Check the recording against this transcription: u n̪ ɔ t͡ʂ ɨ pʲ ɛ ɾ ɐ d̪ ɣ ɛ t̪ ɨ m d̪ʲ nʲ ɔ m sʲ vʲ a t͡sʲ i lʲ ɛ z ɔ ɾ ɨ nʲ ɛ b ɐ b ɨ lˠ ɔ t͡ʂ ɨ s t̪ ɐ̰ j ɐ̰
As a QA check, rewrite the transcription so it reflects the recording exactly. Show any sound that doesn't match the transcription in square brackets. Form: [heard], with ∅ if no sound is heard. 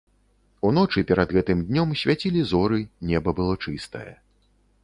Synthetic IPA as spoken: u n̪ ɔ t͡ʂ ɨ pʲ ɛ ɾ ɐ d̪ ɣ ɛ t̪ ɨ m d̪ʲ nʲ ɔ m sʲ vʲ a t͡sʲ i lʲ [i] z ɔ ɾ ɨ nʲ ɛ b ɐ b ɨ lˠ ɔ t͡ʂ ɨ s t̪ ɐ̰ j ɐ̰